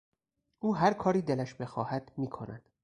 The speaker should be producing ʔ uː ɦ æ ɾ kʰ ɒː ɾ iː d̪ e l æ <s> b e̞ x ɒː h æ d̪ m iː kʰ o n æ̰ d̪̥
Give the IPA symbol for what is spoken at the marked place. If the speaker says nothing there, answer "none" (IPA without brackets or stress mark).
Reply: ʃ